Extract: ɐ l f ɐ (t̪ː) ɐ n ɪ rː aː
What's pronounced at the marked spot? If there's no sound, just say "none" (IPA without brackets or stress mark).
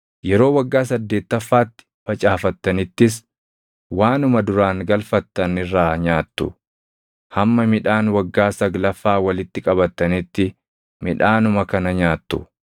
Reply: t̪ː